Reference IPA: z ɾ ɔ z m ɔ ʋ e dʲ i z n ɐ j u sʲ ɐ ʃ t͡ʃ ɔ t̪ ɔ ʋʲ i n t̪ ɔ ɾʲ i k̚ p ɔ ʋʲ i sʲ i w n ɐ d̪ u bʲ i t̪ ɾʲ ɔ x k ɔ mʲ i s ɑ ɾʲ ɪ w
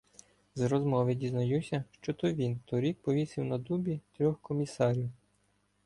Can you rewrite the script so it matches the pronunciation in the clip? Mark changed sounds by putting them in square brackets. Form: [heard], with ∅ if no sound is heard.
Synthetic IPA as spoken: z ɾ ɔ z m ɔ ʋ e dʲ i z n ɐ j u sʲ ɐ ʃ t͡ʃ ɔ t̪ ɔ ʋʲ i n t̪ ɔ ɾʲ i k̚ p ɔ ʋʲ i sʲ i w n ɐ d̪ u bʲ i t̪ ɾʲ ɔ x k ɔ mʲ i s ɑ ɾʲ [i] w